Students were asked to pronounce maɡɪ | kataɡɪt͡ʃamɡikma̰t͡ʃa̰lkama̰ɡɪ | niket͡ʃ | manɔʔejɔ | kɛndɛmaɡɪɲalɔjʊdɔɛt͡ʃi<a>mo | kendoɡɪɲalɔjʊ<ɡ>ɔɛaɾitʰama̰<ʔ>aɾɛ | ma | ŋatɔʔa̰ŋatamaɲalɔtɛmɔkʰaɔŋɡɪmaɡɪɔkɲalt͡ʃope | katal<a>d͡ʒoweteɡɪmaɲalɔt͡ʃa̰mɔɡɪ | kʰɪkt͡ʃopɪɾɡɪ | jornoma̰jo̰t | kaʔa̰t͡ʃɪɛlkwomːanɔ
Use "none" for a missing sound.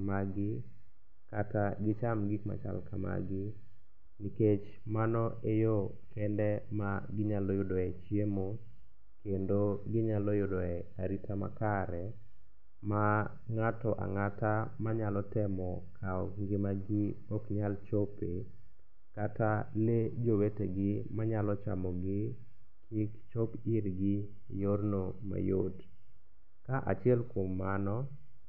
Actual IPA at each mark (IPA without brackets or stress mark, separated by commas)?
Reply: e, d, k, e